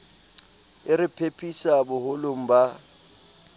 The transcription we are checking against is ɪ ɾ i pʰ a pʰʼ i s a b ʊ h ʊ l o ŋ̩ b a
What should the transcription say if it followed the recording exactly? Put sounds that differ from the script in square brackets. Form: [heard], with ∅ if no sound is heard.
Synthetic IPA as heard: ɪ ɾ [ɪ] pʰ [e] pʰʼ i s a b ʊ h ʊ l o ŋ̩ b a